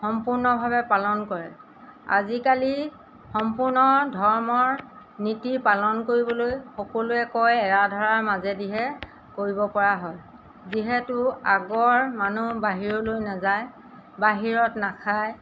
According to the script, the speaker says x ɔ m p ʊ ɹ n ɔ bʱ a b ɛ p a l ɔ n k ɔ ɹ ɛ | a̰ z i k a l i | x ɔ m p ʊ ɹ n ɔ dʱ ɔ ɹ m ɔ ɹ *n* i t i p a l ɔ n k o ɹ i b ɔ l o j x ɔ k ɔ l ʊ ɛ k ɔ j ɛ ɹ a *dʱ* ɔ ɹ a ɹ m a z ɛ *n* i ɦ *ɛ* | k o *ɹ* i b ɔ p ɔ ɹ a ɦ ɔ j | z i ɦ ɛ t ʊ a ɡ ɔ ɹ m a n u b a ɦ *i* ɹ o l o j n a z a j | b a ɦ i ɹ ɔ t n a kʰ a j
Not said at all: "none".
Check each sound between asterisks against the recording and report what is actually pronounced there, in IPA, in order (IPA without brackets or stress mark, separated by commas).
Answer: n, dʱ, d, ɛ, ɹ, i